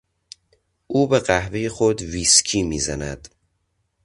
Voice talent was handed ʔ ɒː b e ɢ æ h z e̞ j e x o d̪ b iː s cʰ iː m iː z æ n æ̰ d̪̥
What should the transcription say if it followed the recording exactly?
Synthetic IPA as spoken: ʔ uː b e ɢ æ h v e̞ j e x o d̪ v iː s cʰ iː m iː z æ n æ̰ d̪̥